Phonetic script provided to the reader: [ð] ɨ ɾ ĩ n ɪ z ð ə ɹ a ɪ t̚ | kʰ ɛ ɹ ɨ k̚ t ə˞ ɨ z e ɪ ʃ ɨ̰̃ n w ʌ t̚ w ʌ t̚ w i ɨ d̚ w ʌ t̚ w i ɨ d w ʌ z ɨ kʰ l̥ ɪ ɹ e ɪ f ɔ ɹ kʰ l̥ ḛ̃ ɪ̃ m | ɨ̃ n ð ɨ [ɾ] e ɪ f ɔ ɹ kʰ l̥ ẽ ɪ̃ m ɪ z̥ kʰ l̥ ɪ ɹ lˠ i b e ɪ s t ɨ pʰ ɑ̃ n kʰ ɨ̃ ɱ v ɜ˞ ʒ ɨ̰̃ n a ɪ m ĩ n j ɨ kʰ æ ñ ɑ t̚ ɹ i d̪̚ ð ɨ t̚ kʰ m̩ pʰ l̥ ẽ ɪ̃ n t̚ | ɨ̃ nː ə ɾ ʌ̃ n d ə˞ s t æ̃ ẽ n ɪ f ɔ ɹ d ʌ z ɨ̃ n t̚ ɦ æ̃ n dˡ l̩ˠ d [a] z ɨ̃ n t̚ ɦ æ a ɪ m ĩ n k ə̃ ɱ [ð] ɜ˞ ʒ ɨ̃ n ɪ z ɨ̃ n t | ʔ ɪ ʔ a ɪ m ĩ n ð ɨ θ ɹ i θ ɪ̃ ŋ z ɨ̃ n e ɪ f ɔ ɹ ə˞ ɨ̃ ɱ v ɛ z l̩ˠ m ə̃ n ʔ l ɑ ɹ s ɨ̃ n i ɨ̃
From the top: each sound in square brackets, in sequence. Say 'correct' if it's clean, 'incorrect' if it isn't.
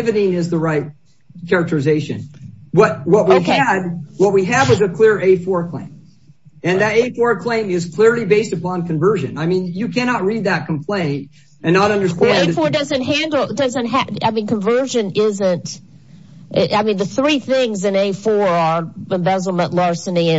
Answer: incorrect: v, correct, incorrect: ʌ, incorrect: v

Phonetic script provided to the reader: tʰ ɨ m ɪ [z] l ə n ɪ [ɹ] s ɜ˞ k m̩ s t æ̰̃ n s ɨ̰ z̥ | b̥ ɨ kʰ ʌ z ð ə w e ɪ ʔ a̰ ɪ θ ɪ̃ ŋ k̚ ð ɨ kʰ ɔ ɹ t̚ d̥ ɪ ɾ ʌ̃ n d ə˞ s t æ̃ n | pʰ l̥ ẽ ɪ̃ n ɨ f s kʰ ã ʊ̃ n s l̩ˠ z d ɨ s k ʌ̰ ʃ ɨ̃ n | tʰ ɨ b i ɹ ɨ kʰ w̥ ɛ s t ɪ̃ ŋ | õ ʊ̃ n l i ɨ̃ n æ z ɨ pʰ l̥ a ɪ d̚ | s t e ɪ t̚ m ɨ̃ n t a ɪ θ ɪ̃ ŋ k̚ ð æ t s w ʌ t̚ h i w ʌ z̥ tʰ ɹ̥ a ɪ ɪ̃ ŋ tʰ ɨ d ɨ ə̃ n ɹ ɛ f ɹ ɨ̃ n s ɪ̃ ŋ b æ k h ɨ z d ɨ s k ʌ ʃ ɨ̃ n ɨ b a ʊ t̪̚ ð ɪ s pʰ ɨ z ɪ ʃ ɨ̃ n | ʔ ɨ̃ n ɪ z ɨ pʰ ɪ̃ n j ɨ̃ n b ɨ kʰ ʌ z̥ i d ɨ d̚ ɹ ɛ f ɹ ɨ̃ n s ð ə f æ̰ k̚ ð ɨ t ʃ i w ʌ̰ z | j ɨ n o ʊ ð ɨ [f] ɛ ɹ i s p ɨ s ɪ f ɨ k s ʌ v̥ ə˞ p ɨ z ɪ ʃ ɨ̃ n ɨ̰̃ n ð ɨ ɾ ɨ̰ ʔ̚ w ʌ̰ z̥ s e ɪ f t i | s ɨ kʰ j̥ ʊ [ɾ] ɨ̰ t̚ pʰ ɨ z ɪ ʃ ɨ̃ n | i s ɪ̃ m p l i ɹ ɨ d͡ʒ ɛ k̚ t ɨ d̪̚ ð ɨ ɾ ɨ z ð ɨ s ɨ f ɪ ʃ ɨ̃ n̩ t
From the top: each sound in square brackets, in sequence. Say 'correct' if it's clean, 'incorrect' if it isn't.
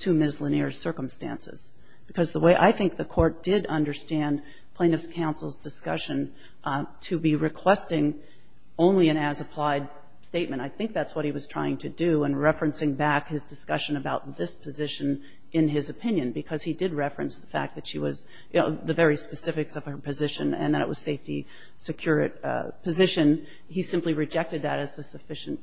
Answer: correct, correct, incorrect: v, incorrect: ɹ

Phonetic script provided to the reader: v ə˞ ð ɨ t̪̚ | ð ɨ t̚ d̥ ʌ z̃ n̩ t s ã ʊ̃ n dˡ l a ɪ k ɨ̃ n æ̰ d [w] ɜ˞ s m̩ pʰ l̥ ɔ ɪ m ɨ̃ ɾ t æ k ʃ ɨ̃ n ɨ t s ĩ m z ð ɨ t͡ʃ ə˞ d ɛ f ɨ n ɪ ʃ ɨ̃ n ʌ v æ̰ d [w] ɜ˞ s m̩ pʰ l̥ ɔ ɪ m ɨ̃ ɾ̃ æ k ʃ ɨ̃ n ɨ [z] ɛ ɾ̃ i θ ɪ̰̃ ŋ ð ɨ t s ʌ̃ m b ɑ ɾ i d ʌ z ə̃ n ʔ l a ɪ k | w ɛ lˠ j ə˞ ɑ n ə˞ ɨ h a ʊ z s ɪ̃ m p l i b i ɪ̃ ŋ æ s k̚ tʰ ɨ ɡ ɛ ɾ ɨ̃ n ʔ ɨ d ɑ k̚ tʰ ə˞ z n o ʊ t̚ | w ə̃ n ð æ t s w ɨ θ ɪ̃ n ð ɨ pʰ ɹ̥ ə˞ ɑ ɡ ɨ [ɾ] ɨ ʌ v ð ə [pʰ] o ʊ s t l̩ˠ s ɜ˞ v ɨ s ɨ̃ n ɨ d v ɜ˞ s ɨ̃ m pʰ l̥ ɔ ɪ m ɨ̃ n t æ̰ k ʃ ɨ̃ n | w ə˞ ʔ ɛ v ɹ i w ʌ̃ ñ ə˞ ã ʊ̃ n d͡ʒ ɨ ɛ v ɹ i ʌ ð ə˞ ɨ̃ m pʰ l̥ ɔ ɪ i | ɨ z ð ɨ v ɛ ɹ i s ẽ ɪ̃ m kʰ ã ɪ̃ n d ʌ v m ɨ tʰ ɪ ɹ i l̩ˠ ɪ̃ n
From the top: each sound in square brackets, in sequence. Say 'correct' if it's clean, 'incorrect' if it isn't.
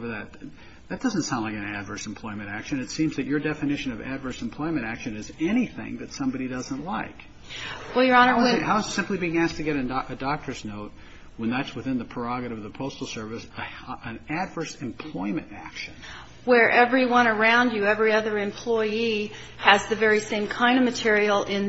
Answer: incorrect: v, incorrect: v, correct, correct, correct

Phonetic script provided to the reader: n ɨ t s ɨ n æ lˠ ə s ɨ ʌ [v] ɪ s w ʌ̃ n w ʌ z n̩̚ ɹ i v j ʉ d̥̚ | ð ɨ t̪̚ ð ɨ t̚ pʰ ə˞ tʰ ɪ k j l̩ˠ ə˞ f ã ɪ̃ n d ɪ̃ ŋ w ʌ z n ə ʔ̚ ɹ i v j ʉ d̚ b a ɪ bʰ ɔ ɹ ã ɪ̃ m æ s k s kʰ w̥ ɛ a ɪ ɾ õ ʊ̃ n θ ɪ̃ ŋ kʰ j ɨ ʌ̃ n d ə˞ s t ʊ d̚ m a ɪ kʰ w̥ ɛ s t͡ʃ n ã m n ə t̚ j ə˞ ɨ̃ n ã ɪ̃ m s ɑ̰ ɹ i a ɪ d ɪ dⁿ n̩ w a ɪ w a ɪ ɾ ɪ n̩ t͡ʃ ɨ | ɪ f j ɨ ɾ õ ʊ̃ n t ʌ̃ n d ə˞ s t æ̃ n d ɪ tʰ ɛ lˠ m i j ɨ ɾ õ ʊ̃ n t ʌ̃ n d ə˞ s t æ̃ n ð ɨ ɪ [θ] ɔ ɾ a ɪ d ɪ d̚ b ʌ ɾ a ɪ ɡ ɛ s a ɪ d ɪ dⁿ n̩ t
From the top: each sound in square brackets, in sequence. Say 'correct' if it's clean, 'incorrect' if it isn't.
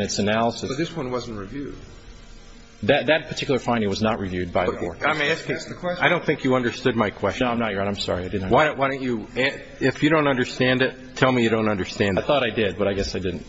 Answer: incorrect: ð, correct

